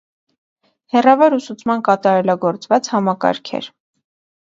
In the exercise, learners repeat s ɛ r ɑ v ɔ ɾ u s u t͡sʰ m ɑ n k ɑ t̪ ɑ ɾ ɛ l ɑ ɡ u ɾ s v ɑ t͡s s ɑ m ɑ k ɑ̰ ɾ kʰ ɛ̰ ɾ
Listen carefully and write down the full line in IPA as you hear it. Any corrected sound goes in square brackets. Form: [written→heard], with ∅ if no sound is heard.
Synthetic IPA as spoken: [s→h] ɛ r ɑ v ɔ ɾ u s u t͡sʰ m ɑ n k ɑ t̪ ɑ ɾ ɛ l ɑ ɡ [u→ɔ] ɾ [s→t͡s] v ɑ t͡s [s→h] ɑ m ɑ k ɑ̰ ɾ kʰ ɛ̰ ɾ